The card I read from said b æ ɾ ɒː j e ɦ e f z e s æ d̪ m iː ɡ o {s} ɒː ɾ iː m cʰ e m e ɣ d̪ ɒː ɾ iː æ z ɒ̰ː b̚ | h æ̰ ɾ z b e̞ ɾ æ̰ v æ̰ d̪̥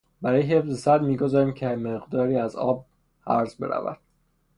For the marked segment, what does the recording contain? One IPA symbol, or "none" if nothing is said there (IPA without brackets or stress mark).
z